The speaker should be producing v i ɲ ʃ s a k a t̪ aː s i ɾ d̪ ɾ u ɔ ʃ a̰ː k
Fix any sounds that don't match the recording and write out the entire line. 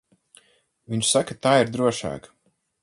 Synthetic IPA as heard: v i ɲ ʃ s a k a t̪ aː i ɾ d̪ ɾ u ɔ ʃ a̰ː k